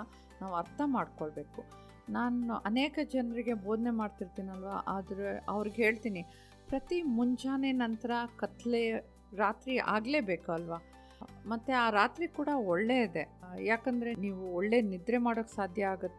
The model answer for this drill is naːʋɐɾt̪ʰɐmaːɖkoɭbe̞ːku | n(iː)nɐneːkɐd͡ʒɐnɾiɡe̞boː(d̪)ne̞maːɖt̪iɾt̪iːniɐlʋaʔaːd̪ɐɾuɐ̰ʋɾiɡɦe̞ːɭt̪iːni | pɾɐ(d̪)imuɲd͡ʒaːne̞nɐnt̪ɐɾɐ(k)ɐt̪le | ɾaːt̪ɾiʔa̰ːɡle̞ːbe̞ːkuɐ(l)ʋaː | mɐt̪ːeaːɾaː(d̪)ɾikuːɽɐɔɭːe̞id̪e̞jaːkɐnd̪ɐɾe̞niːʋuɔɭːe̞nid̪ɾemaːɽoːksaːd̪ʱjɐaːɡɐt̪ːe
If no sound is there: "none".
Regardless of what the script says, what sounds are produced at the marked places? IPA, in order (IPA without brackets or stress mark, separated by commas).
aː, d̪, t̪, k, l, t̪